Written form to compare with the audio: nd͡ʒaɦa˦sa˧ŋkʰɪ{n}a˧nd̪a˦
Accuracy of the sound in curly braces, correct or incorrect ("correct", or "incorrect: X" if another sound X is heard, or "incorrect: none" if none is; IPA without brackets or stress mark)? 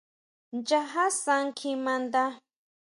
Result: incorrect: m